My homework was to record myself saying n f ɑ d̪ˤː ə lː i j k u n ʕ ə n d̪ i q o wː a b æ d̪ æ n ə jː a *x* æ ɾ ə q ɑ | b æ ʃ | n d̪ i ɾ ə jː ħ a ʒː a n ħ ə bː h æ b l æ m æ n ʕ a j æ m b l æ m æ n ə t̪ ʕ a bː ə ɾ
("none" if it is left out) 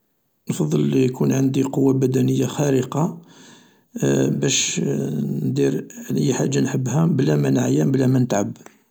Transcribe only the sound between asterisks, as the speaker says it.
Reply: x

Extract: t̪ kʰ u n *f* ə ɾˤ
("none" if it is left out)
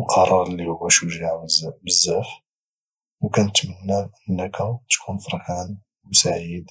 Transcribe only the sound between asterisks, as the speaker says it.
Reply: f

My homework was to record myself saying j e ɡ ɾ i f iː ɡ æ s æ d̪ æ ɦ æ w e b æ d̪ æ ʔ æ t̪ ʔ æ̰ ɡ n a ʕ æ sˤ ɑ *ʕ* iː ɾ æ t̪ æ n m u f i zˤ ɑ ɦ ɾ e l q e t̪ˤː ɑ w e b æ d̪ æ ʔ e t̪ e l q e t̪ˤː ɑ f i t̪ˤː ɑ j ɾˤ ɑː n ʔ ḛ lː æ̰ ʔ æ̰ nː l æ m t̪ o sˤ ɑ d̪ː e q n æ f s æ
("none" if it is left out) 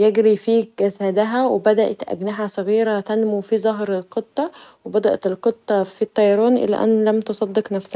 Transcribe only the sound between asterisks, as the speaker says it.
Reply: ɣ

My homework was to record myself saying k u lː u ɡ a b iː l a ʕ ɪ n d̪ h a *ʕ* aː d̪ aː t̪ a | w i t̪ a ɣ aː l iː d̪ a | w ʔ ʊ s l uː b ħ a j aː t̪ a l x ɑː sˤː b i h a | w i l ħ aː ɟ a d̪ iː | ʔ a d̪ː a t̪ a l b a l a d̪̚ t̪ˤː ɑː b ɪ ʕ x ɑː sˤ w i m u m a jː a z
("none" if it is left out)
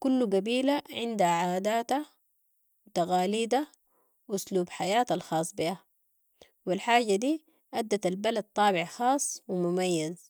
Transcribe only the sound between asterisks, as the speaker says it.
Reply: ʕ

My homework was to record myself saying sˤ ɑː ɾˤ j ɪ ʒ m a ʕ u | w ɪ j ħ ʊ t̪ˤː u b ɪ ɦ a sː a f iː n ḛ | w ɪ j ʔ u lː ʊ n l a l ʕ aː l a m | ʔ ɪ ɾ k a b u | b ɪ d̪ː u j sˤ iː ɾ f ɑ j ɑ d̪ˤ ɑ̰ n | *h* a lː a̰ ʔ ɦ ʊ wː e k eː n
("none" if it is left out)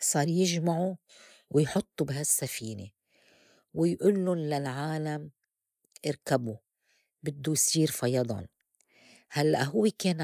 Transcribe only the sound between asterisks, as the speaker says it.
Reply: h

